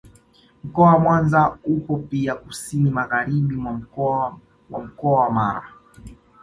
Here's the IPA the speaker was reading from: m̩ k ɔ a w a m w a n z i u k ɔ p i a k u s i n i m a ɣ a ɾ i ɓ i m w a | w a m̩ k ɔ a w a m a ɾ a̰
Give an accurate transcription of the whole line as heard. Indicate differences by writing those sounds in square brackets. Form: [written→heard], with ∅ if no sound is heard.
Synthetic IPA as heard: m̩ k ɔ a w a m w a n z [i→a] u k ɔ p i a k u s i n i m a ɣ a ɾ i ɓ i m w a | w a m̩ k ɔ a w a m a ɾ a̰